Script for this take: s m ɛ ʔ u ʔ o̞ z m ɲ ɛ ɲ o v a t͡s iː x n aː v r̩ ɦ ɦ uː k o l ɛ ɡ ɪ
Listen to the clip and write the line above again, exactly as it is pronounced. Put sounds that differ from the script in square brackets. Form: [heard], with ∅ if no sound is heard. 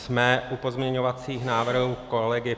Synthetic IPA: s m ɛ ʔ u [p] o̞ z m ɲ ɛ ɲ o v a t͡s iː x n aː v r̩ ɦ ɦ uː k o l ɛ ɡ ɪ